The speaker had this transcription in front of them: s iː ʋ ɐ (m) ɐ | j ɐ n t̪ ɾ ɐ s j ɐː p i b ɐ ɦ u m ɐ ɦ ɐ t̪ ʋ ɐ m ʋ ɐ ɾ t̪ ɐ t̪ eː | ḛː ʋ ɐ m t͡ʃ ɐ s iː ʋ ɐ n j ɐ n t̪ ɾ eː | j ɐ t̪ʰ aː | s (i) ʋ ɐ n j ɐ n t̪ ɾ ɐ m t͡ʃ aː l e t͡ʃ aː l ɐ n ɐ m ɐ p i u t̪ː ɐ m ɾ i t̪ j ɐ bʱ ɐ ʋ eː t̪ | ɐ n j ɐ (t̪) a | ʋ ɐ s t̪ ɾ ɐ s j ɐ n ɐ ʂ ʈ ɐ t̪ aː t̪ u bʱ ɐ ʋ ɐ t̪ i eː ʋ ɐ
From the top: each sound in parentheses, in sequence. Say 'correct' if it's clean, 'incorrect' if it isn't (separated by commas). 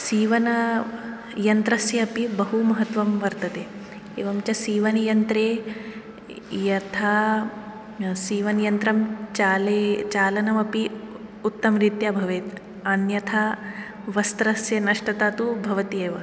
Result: incorrect, incorrect, incorrect